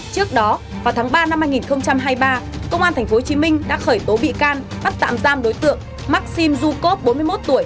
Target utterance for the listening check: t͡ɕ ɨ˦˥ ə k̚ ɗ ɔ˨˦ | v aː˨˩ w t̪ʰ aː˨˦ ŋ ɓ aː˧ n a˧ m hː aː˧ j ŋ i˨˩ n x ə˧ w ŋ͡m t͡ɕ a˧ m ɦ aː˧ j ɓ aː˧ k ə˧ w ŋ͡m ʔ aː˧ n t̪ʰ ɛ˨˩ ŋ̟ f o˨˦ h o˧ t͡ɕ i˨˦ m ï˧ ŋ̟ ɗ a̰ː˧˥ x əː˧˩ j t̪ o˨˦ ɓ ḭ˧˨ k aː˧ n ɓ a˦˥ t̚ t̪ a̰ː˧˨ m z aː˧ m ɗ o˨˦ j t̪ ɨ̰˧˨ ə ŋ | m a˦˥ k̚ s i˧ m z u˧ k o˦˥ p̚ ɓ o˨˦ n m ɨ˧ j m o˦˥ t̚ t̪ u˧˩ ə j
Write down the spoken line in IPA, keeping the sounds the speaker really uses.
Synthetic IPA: t͡ɕ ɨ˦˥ ə k̚ ɗ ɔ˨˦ | v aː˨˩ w t̪ʰ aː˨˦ ŋ ɓ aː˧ n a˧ m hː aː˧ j ŋ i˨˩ n x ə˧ w ŋ͡m t͡ɕ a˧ m ɦ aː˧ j ɓ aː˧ k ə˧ w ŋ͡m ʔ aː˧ n t̪ʰ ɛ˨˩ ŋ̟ f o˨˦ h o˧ t͡ɕ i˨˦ m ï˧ ŋ̟ ɗ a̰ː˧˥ x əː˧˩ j t̪ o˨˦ ɓ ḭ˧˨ k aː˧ n ɓ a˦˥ t̚ t̪ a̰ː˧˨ m z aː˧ m ɗ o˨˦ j t̪ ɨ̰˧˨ ə ŋ | m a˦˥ k̚ s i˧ m z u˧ k o˦˥ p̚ ɓ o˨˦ n m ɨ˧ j m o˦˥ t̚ t̪ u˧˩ ə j